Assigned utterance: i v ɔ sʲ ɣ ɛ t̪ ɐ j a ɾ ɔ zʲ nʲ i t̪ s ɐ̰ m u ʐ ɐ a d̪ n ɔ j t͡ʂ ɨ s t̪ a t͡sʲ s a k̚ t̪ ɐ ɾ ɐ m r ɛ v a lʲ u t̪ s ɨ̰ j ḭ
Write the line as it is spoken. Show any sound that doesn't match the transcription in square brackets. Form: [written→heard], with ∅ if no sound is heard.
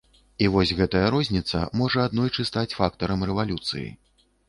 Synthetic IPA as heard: i v ɔ sʲ ɣ ɛ t̪ ɐ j [a→ɐ] ɾ ɔ zʲ nʲ i t̪ s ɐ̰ m [u→ɔ] ʐ ɐ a d̪ n ɔ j t͡ʂ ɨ s t̪ a t͡sʲ [s→f] a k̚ t̪ ɐ ɾ ɐ m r ɛ v a lʲ u t̪ s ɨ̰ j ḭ